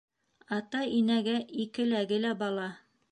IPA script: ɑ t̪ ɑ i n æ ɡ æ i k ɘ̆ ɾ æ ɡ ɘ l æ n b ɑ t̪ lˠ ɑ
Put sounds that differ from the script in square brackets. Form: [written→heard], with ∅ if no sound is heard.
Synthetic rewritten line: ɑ t̪ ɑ i n æ ɡ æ i k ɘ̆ [ɾ→l] æ ɡ ɘ l æ [n→∅] b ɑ [t̪→∅] lˠ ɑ

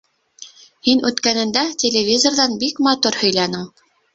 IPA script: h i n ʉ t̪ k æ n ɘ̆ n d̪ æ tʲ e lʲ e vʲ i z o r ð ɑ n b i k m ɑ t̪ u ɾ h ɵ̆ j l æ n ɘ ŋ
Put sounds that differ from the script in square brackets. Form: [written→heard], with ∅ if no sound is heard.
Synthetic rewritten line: h i n ʉ t̪ k æ n ɘ̆ n d̪ æ tʲ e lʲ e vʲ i z o r ð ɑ n b i k m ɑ t̪ u ɾ h ɵ̆ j l æ n ɘ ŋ

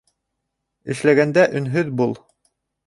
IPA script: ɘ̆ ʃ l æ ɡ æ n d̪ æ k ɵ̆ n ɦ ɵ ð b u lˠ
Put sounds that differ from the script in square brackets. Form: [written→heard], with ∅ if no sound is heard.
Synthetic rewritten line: ɘ̆ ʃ l æ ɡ æ n d̪ æ [k→ʔ] ɵ̆ n ɦ ɵ ð b u lˠ

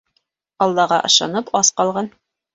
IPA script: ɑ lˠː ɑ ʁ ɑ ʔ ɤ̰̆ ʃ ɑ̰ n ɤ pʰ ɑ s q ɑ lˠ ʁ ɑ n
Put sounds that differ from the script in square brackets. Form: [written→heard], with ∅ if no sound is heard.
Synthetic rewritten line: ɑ lˠː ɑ ʁ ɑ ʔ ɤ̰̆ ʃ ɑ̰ n ɤ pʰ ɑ s q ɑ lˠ ʁ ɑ n

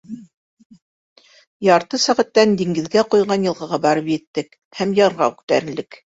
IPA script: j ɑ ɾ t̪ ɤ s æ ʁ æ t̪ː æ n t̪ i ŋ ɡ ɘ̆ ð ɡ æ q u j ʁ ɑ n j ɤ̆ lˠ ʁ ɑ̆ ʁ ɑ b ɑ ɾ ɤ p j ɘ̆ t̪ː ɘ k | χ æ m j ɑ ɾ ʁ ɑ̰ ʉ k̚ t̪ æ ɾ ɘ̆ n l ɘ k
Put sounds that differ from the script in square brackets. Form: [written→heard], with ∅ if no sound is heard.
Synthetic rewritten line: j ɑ ɾ t̪ ɤ s æ ʁ æ t̪ː æ n [t̪→d̪] i ŋ ɡ ɘ̆ ð ɡ æ q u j ʁ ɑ n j ɤ̆ lˠ ʁ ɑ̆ ʁ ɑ b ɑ ɾ ɤ p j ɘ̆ t̪ː ɘ k | [χ→h] æ m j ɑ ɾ ʁ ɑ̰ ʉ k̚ t̪ æ ɾ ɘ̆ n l ɘ k

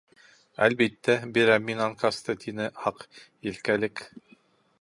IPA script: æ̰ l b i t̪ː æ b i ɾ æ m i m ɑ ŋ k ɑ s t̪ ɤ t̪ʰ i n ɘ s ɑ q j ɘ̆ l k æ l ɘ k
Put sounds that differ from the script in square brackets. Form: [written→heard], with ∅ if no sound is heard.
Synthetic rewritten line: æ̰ l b i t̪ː æ b i ɾ æ m i [m→n] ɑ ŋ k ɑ s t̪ ɤ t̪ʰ i n ɘ [s→h] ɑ q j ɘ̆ l k æ l ɘ k

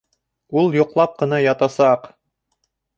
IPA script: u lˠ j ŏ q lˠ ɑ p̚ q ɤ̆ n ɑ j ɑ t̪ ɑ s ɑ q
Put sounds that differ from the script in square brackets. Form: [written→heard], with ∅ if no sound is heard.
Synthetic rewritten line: u lˠ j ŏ q lˠ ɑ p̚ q ɤ̆ n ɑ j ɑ t̪ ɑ s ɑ q

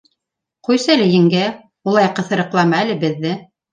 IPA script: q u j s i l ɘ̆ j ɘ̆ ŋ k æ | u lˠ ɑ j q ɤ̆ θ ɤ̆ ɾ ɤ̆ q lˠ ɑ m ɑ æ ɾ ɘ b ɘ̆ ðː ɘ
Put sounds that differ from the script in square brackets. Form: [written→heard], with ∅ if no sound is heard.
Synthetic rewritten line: q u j s [i→æ] l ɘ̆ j ɘ̆ ŋ [k→ɡ] æ | u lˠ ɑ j q ɤ̆ θ ɤ̆ ɾ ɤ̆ q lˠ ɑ m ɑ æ [ɾ→l] ɘ b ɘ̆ ðː ɘ

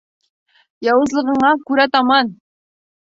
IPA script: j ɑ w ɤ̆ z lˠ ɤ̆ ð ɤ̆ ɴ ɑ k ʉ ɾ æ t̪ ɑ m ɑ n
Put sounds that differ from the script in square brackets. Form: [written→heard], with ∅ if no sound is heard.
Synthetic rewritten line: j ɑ w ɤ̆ z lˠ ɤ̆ [ð→ʁ] ɤ̆ ɴ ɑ k ʉ ɾ æ t̪ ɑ m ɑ n

